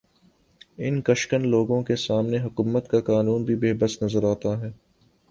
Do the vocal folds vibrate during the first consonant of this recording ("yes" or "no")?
yes